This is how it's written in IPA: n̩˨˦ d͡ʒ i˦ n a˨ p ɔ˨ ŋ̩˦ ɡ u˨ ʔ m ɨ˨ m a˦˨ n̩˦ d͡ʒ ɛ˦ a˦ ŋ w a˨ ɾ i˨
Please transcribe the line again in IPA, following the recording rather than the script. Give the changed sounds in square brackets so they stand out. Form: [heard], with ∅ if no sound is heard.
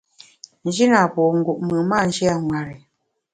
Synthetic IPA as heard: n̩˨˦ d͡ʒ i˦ n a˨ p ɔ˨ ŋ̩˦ ɡ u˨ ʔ m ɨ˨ m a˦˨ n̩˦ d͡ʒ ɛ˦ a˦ ŋ w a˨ ɾ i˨